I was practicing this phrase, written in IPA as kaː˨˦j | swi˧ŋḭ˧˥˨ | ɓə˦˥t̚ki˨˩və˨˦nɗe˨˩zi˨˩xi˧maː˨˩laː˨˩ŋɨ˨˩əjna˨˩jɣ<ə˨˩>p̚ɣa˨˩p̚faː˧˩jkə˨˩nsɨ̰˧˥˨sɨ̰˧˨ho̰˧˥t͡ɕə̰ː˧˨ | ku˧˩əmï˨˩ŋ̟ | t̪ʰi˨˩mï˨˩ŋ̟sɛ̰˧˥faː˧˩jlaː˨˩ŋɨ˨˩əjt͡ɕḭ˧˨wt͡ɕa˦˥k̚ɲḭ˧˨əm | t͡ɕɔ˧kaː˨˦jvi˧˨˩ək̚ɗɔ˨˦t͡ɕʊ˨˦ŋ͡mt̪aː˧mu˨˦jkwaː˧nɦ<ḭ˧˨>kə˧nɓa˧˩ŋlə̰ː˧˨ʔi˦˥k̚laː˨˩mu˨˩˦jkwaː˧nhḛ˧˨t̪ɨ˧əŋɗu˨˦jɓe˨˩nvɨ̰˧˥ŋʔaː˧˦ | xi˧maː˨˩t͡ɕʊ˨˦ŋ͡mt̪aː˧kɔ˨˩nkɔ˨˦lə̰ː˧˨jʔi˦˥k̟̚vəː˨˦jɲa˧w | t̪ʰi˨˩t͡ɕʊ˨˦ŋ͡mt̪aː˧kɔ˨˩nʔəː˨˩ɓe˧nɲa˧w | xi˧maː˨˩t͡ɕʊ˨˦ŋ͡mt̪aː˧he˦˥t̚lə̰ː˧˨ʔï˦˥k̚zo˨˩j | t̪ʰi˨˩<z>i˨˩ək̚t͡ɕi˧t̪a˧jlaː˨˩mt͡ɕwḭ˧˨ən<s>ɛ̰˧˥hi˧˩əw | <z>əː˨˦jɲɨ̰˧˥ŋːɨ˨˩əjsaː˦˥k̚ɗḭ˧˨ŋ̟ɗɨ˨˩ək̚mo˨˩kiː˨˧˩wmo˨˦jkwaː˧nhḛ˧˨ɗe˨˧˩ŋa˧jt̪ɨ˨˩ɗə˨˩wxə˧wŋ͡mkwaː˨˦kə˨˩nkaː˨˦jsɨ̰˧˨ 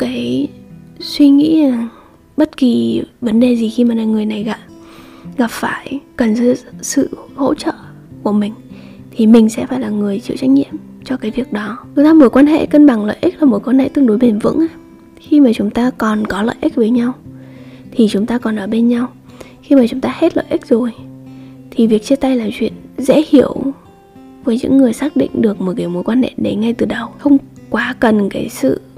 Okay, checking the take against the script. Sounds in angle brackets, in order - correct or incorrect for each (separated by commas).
incorrect, incorrect, incorrect, incorrect, incorrect